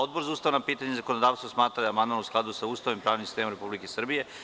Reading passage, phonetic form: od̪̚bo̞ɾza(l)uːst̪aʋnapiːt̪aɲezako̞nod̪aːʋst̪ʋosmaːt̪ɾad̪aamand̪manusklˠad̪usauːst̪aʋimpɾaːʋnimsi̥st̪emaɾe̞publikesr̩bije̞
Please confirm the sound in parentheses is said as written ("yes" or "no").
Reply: no